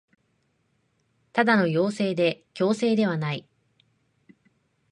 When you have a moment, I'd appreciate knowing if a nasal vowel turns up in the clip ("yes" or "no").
no